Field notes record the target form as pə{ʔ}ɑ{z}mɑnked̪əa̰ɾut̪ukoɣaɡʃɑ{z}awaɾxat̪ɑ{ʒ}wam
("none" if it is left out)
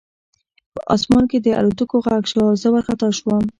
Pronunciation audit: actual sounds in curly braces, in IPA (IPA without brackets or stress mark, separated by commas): ʔ, s, z, ʃ